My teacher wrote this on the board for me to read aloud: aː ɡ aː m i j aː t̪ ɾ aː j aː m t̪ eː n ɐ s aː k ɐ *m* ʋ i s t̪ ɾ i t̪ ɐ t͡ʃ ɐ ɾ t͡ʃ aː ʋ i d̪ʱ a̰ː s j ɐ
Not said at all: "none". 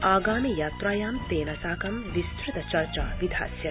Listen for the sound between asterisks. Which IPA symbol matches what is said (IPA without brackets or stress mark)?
m